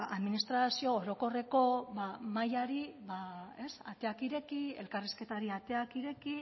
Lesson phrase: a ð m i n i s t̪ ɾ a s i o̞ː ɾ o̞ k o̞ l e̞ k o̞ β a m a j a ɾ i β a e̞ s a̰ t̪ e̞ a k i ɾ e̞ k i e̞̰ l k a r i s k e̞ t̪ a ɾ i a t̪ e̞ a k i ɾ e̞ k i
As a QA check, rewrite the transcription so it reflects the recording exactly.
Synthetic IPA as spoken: a ð m i n i s t̪ ɾ a s i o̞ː ɾ o̞ k o̞ r e̞ k o̞ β a m a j a ɾ i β a e̞ s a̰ t̪ e̞ a k i ɾ e̞ k i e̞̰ l k a r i s k e̞ t̪ a ɾ i a t̪ e̞ a k i ɾ e̞ k i